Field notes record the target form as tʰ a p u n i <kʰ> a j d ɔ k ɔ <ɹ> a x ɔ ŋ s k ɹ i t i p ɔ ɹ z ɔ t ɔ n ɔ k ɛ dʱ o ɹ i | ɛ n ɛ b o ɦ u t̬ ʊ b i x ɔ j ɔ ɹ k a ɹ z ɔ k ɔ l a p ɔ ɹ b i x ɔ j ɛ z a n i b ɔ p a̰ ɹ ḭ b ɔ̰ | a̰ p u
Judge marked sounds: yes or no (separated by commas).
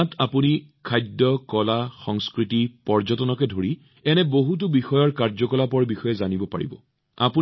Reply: yes, no